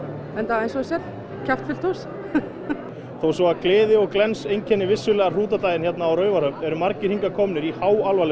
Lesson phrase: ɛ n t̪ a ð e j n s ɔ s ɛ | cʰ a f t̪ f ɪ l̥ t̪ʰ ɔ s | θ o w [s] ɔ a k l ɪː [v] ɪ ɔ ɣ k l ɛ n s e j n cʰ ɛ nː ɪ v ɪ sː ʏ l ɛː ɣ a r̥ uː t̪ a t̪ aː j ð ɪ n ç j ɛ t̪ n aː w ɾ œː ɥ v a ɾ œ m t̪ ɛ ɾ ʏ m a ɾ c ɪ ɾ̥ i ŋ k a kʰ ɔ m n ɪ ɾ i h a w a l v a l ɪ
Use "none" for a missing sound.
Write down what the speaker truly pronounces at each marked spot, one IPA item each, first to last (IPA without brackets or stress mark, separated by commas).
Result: s, ð